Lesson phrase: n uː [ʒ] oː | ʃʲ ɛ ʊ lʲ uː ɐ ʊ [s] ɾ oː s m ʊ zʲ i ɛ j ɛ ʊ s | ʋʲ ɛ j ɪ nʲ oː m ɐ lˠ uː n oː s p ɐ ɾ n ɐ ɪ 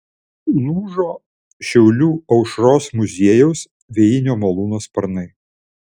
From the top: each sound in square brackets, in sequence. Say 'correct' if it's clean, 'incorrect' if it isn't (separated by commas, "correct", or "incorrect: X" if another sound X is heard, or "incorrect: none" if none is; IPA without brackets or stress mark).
correct, incorrect: ʃ